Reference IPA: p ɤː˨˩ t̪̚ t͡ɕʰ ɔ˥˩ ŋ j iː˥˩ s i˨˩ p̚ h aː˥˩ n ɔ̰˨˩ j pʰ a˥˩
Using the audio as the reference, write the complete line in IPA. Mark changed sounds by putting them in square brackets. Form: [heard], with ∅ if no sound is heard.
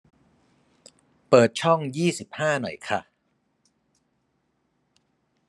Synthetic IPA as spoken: p ɤː˨˩ t̪̚ t͡ɕʰ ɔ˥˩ ŋ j iː˥˩ s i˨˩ p̚ h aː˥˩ n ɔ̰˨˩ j [kʰ] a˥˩